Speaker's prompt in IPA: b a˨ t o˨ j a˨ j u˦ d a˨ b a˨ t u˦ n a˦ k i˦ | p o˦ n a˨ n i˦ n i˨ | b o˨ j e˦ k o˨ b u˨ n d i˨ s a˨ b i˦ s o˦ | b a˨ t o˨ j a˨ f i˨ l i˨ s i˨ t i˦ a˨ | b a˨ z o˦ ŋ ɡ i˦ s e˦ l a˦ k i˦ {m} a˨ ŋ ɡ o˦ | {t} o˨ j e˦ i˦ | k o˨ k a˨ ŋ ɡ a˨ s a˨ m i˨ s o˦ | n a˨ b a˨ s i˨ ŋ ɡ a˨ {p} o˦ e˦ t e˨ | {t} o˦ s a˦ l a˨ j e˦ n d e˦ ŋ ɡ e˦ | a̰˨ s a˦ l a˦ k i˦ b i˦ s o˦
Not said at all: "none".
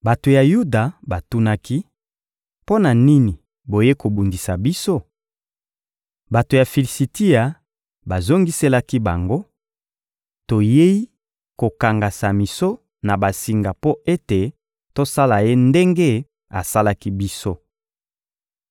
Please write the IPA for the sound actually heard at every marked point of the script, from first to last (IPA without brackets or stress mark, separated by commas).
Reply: b, t, p, t